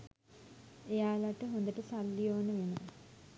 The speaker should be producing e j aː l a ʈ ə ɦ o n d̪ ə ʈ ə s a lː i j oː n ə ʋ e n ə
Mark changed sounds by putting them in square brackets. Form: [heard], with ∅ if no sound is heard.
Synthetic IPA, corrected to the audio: e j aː l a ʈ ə ɦ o n d̪ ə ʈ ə s a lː i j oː n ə ʋ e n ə